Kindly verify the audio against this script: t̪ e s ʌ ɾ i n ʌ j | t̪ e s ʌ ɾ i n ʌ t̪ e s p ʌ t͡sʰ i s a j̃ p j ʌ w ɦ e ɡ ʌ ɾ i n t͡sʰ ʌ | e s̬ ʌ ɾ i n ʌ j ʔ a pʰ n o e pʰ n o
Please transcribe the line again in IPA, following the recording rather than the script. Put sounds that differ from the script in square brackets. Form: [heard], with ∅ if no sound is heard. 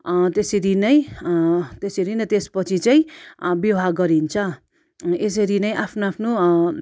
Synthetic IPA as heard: t̪ e s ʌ ɾ i n ʌ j | t̪ e s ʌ ɾ i n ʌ t̪ e s p ʌ t͡sʰ i [t͡s] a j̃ [b] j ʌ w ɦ [a] ɡ ʌ ɾ i n t͡sʰ ʌ | e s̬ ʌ ɾ i n ʌ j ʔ a pʰ n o [a] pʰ n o